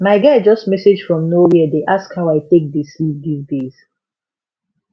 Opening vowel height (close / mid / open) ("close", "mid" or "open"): open